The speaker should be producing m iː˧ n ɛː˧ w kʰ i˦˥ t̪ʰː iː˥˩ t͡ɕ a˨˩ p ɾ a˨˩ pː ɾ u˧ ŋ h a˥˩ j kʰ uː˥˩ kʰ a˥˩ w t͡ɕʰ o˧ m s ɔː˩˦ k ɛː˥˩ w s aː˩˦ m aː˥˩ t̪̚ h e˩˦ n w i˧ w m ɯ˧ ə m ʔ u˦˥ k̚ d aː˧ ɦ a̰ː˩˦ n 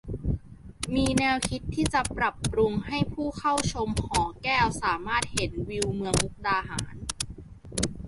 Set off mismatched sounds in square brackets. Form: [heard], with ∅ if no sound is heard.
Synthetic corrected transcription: m iː˧ n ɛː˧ w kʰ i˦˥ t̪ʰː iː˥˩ t͡ɕ a˨˩ p ɾ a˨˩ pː ɾ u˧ ŋ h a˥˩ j [pʰ] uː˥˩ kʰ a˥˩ w t͡ɕʰ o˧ m [h] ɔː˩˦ k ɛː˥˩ w s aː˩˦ m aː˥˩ t̪̚ h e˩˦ n w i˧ w m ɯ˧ ə [ŋ] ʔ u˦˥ k̚ d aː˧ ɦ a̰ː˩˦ n